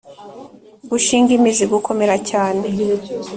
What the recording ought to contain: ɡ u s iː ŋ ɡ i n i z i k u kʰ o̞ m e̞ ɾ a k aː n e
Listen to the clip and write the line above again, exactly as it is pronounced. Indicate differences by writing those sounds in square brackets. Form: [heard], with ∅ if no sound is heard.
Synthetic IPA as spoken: ɡ u [ʃ] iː ŋ ɡ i [m] i z i [ɡ] u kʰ o̞ m e̞ ɾ a [c] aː n e